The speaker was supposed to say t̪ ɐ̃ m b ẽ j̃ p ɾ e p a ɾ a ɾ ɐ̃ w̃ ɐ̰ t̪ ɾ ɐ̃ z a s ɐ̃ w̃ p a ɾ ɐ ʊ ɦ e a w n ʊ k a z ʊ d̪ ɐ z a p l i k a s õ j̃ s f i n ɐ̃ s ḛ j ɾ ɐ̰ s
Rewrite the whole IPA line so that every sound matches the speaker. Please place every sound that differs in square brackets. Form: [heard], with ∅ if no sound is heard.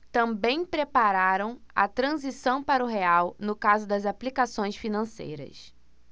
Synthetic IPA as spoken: t̪ ɐ̃ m b ẽ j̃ p ɾ e p a ɾ a ɾ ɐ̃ w̃ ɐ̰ t̪ ɾ ɐ̃ z [i] s ɐ̃ w̃ p a ɾ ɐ ʊ ɦ e a w n ʊ k a z ʊ d̪ ɐ z a p l i k a s õ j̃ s f i n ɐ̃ s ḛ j ɾ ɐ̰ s